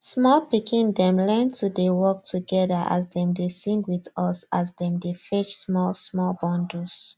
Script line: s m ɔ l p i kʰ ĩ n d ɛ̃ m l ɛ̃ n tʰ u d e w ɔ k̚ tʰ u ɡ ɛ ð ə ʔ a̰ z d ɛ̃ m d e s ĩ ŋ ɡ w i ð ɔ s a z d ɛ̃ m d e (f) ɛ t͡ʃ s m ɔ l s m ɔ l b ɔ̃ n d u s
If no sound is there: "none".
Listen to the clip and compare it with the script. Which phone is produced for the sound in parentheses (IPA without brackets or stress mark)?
f